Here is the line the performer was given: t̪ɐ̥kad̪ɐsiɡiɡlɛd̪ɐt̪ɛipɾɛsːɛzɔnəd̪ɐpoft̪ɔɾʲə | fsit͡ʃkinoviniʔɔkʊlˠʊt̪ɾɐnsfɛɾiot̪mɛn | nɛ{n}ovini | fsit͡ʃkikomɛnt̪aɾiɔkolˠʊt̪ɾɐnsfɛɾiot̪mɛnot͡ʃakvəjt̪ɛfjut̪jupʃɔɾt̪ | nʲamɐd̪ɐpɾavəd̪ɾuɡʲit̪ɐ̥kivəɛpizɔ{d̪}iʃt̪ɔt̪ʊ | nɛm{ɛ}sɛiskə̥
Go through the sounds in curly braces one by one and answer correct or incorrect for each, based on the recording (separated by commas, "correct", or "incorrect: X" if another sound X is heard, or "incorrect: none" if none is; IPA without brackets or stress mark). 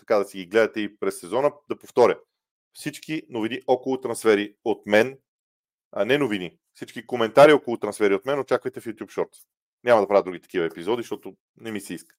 correct, correct, incorrect: i